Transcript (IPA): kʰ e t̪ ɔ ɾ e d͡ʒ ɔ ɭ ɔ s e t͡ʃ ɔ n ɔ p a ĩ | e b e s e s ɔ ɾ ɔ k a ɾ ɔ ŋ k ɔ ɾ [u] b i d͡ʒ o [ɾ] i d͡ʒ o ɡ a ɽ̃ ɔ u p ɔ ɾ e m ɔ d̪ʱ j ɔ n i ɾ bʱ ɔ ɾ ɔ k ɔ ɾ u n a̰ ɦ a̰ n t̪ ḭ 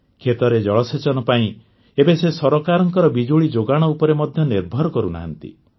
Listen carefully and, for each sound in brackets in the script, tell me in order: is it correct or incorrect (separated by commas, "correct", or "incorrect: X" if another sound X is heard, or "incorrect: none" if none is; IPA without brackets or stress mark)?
incorrect: ɔ, incorrect: ɭ